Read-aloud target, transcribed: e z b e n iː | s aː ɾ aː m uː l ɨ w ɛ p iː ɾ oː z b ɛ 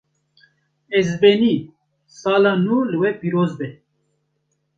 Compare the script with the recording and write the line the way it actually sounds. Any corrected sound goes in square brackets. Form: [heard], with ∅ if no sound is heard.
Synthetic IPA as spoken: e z b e n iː | s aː [l] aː [n] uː l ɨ w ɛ p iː ɾ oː z b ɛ